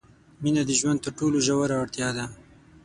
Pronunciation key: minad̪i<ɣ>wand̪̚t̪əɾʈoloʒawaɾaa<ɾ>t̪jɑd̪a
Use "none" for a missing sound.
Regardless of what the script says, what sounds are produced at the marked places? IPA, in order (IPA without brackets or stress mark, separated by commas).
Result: ʒ, ɽ